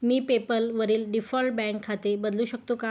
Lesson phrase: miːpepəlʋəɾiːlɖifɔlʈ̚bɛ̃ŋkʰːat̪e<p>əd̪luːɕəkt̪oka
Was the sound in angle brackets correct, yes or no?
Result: no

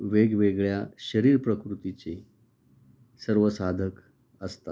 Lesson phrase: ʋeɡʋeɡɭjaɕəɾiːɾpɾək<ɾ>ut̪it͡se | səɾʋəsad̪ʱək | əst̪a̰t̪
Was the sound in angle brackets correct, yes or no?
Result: yes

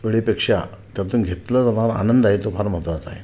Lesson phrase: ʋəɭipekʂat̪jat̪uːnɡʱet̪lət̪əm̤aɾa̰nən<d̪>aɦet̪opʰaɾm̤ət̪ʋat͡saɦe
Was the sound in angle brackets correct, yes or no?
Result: yes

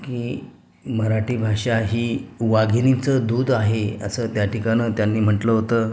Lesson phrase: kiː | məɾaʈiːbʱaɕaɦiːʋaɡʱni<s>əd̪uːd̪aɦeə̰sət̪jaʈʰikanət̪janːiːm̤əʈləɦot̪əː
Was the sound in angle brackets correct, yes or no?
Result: no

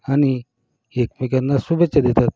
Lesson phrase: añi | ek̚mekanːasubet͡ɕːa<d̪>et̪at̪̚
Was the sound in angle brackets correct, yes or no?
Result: yes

